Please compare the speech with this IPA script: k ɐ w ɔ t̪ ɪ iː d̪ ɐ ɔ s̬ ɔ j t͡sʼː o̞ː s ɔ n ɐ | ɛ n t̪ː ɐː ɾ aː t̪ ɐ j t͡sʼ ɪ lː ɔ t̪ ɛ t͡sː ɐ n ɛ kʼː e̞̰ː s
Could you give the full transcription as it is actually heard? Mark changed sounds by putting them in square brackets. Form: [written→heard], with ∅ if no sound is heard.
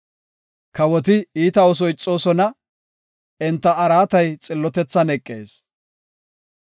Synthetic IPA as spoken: k ɐ w ɔ t̪ ɪ iː [d̪→t̪] ɐ ɔ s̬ ɔ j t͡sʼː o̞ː s ɔ n ɐ | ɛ n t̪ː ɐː ɾ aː t̪ ɐ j t͡sʼ ɪ lː ɔ t̪ ɛ t͡sː ɐ n ɛ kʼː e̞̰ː s

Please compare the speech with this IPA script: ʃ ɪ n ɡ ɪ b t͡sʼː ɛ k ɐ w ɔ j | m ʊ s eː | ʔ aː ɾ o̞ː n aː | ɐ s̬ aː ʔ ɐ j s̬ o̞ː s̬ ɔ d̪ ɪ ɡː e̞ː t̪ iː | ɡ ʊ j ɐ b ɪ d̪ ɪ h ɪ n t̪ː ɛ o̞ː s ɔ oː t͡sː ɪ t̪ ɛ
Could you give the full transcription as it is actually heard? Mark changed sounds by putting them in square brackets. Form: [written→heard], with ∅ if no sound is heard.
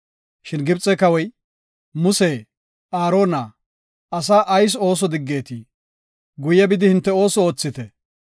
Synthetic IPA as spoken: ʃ ɪ n ɡ ɪ b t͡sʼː ɛ k ɐ w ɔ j | m ʊ s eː | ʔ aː ɾ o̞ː n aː | ɐ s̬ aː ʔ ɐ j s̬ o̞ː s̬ ɔ d̪ ɪ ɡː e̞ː t̪ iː | ɡ ʊ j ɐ b ɪ d̪ ɪ h ɪ n t̪ː ɛ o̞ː s ɔ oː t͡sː ɪ t̪ ɛ

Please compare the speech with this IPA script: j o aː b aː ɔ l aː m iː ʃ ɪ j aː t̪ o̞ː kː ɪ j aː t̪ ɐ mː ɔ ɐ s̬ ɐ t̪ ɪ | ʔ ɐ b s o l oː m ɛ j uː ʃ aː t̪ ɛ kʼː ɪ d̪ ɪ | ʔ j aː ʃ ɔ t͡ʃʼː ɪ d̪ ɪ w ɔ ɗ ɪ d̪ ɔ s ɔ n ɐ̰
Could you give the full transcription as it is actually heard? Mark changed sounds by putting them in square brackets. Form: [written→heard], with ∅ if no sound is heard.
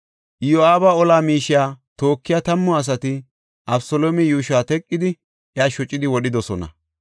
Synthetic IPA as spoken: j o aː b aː ɔ l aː m iː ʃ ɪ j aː t̪ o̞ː kː ɪ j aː t̪ ɐ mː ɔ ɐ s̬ ɐ t̪ ɪ | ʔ ɐ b s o l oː m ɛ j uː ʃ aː t̪ ɛ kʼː ɪ d̪ ɪ | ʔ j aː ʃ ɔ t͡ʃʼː ɪ d̪ ɪ w ɔ ɗ ɪ d̪ ɔ s ɔ n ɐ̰

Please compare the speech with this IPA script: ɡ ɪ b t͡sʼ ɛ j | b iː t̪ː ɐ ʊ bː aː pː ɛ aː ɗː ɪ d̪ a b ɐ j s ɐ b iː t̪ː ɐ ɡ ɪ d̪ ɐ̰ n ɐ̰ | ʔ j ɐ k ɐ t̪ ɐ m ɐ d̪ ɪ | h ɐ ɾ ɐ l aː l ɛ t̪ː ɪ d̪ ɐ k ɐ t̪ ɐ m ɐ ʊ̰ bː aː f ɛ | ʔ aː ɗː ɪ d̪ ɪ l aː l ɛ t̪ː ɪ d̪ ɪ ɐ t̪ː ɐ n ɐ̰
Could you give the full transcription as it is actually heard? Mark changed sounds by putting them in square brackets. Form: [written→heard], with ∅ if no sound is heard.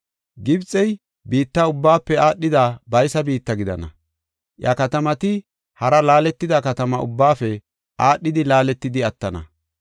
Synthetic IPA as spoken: ɡ ɪ b t͡sʼ ɛ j | b iː t̪ː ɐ ʊ bː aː pː ɛ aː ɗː ɪ d̪ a b ɐ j s ɐ b iː t̪ː ɐ ɡ ɪ d̪ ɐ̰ n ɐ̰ | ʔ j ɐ k ɐ t̪ ɐ m ɐ [d̪→t̪] ɪ | h ɐ ɾ ɐ l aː l ɛ t̪ː ɪ d̪ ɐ k ɐ t̪ ɐ m ɐ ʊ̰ bː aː f ɛ | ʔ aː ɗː ɪ d̪ ɪ l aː l ɛ t̪ː ɪ d̪ ɪ ɐ t̪ː ɐ n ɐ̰

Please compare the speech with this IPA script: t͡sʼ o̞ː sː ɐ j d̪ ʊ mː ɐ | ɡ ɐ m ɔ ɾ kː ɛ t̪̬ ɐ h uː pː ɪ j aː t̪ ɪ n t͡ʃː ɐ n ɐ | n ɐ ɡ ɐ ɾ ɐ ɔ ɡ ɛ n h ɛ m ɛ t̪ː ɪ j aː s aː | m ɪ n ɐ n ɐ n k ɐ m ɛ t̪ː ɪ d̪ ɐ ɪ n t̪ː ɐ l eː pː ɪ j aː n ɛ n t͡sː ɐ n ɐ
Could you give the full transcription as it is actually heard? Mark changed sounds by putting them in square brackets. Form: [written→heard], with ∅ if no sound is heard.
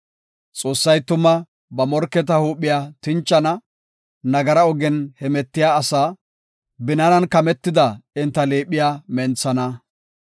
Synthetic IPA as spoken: t͡sʼ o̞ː sː ɐ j [d̪→t̪] ʊ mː ɐ | [ɡ→b] ɐ m ɔ ɾ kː ɛ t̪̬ ɐ h uː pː ɪ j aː t̪ ɪ n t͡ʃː ɐ n ɐ | n ɐ ɡ ɐ ɾ ɐ ɔ ɡ ɛ n h ɛ m ɛ t̪ː ɪ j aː s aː | [m→b] ɪ n ɐ n ɐ n k ɐ m ɛ t̪ː ɪ d̪ ɐ ɪ n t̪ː ɐ l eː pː ɪ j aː [n→m] ɛ n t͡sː ɐ n ɐ

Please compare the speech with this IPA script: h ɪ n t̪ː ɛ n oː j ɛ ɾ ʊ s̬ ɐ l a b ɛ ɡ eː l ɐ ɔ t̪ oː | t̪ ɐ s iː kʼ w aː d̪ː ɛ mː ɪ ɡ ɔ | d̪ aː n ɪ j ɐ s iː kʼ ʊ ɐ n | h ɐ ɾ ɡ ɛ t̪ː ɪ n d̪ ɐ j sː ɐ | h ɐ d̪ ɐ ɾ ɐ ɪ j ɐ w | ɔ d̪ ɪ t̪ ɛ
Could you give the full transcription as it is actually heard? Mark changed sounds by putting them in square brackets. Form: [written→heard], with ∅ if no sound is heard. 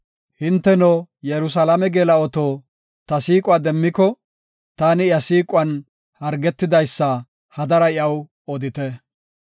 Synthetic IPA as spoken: h ɪ n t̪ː ɛ n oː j ɛ ɾ ʊ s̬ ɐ l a [b→m] ɛ ɡ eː l ɐ ɔ t̪ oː | t̪ ɐ s iː kʼ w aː [d̪ː→d̪] ɛ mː ɪ [ɡ→k] ɔ | [d̪→t̪] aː n ɪ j ɐ s iː kʼ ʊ ɐ n | h ɐ ɾ ɡ ɛ t̪ː ɪ [n→∅] d̪ ɐ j sː ɐ | h ɐ d̪ ɐ ɾ ɐ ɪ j ɐ w | ɔ d̪ ɪ t̪ ɛ

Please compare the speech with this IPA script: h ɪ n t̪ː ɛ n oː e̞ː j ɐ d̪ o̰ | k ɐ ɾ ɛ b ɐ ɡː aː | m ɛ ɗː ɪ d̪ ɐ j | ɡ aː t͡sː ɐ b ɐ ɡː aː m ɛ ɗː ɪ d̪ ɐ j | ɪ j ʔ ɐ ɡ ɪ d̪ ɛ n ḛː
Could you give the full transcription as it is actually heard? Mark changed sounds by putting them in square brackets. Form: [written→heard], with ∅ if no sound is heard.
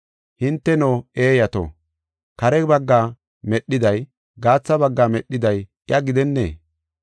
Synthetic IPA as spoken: h ɪ n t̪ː ɛ n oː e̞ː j ɐ [d̪→t̪] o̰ | k ɐ ɾ ɛ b ɐ ɡː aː | m ɛ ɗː ɪ d̪ ɐ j | ɡ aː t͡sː ɐ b ɐ ɡː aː m ɛ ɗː ɪ d̪ ɐ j | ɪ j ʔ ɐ ɡ ɪ d̪ ɛ [n→nː] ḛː

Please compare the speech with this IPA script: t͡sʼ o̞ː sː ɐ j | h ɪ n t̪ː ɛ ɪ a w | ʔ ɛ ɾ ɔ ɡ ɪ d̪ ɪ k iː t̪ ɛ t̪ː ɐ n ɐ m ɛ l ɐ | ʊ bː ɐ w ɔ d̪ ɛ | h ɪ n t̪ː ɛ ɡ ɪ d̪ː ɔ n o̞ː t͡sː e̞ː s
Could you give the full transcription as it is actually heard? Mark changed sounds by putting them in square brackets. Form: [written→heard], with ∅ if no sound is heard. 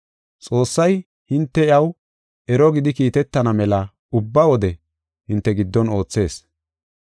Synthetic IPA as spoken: t͡sʼ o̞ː sː ɐ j | h ɪ n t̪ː ɛ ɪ [a→ɐ] w | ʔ ɛ ɾ ɔ ɡ ɪ d̪ ɪ k iː t̪ ɛ t̪ː ɐ n ɐ m ɛ l ɐ | ʊ bː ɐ w ɔ d̪ ɛ | h ɪ n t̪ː ɛ ɡ ɪ d̪ː ɔ n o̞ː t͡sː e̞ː s

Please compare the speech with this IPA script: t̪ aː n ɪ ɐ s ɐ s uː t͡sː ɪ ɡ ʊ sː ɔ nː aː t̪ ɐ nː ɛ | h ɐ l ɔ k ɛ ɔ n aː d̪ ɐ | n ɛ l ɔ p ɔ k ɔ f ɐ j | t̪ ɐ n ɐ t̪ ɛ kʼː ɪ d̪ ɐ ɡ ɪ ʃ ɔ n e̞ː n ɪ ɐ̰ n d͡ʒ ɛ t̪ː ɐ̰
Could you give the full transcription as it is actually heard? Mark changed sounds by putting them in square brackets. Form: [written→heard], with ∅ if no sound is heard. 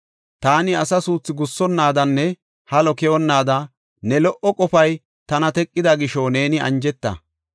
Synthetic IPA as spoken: t̪ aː n ɪ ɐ s ɐ s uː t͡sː ɪ ɡ ʊ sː ɔ nː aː [t̪→d̪] ɐ nː ɛ | h ɐ l ɔ k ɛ ɔ [n→nː] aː d̪ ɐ | n ɛ l ɔ [p→ʔ] ɔ [k→kʼ] ɔ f ɐ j | t̪ ɐ n ɐ t̪ ɛ kʼː ɪ d̪ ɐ ɡ ɪ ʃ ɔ n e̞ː n ɪ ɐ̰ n d͡ʒ ɛ t̪ː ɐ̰

